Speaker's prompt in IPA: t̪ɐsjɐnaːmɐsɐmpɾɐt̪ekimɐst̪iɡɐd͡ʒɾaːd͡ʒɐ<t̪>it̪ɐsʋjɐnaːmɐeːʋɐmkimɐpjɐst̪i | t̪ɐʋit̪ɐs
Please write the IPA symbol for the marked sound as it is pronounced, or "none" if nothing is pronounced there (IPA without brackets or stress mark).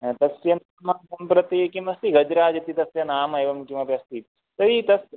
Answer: t̪